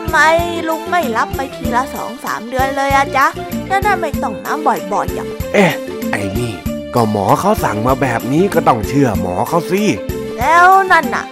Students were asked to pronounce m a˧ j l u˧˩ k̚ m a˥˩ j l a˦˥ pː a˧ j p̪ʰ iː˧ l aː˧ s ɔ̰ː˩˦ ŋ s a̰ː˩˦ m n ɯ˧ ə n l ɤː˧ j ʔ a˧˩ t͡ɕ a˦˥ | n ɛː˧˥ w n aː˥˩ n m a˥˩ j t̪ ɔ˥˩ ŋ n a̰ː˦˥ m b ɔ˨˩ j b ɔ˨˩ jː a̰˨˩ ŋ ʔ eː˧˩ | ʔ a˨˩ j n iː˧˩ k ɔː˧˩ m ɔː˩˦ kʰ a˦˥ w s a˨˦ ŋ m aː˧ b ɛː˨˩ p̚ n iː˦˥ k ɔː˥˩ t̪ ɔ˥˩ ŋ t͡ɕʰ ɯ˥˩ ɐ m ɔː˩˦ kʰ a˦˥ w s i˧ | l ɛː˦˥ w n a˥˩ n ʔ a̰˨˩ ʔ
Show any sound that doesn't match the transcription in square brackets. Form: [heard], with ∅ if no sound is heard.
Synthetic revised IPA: m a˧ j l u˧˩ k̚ m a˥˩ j l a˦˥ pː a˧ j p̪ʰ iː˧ l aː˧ s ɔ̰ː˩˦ ŋ s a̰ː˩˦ m [d] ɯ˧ ə n l ɤː˧ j ʔ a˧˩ t͡ɕ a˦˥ | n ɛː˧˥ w n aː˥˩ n m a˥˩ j t̪ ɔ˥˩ ŋ n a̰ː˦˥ m b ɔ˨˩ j b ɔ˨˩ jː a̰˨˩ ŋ ʔ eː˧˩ | ʔ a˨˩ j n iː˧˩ k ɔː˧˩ m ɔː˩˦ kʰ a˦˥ w s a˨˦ ŋ m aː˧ b ɛː˨˩ p̚ n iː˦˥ k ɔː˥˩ t̪ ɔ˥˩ ŋ t͡ɕʰ ɯ˥˩ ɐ m ɔː˩˦ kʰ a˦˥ w s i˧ | l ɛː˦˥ w n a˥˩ n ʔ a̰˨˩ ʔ